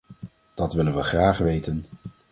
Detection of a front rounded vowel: absent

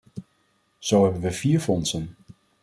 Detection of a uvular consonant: absent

